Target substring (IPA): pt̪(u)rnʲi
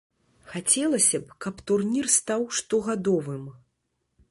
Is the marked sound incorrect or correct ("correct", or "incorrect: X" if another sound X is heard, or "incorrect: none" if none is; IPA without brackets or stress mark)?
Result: correct